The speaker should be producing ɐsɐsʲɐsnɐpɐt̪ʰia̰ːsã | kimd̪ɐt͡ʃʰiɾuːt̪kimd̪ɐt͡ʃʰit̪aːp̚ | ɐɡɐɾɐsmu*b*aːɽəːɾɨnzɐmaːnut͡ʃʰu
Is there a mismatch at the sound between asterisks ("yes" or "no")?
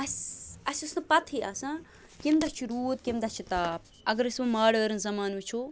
yes